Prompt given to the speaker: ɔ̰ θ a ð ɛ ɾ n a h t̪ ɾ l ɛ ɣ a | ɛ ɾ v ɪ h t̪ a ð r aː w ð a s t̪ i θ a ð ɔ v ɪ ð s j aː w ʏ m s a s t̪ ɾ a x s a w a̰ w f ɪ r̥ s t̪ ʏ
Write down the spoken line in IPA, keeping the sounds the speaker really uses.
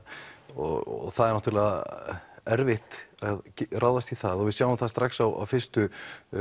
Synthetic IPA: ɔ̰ θ a ð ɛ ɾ n a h t̪ ɾ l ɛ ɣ a | ɛ ɾ v ɪ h t̪ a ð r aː w ð a s t̪ i θ a ð ɔ v ɪ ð s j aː w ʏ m θ a s t̪ ɾ a x s a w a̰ w f ɪ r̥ s t̪ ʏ